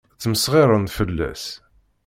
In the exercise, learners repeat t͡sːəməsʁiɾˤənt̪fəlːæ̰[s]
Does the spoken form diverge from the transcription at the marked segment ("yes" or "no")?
no